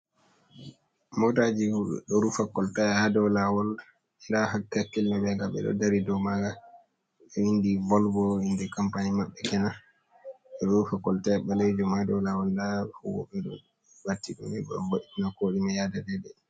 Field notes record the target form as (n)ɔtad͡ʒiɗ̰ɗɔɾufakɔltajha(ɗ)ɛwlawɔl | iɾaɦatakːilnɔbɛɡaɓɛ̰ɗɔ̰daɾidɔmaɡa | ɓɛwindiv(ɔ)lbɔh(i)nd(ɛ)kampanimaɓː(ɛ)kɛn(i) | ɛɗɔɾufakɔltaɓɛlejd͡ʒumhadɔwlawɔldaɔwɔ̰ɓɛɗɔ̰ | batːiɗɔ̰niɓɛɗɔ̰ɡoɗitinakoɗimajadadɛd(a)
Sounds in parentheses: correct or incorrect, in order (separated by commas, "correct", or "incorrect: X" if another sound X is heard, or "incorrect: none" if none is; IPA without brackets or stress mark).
incorrect: m, incorrect: d, correct, correct, correct, correct, incorrect: a, incorrect: ɛ